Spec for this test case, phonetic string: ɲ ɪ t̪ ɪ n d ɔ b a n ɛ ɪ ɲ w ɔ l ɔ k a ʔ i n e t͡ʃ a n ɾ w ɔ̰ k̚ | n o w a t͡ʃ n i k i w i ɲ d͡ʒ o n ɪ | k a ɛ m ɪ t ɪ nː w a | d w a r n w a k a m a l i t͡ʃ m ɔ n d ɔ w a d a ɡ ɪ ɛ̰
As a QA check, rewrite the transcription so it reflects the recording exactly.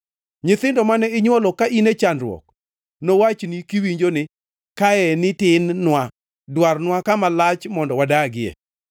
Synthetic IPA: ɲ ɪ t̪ ɪ n d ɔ m a n ɛ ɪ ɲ w ɔ l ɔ k a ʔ i n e t͡ʃ a n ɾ w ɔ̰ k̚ | n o w a t͡ʃ n i k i w i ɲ d͡ʒ o n ɪ | k a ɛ n ɪ t ɪ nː w a | d w a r n w a k a m a l a t͡ʃ m ɔ n d ɔ w a d a ɡ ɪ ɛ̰